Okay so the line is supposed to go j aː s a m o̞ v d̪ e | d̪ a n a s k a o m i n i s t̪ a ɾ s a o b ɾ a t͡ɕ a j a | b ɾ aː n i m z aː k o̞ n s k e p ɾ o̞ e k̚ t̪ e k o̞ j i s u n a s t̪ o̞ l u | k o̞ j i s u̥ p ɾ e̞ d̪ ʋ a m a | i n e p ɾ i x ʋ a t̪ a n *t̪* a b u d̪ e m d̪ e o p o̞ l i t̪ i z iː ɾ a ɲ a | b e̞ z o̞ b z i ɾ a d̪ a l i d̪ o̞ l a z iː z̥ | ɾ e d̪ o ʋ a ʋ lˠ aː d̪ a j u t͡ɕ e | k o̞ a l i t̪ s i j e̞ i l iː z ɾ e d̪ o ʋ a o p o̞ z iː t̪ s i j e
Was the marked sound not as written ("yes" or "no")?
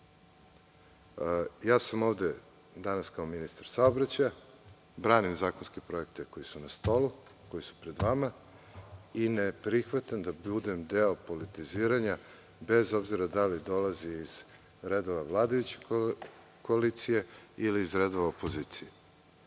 yes